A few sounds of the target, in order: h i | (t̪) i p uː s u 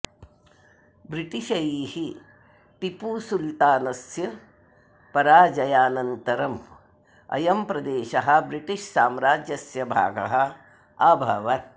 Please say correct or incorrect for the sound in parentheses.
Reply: correct